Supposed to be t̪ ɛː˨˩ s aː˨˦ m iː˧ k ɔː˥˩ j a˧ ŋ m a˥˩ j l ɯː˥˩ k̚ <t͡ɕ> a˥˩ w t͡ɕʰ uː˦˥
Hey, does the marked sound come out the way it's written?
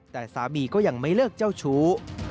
yes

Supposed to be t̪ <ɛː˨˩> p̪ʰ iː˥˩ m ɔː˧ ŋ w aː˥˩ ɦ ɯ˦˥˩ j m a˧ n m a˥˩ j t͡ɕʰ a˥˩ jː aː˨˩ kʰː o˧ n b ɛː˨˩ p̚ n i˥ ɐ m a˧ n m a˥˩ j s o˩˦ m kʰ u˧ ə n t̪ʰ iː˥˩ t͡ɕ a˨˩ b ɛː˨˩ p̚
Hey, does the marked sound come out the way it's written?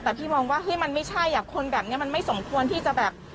yes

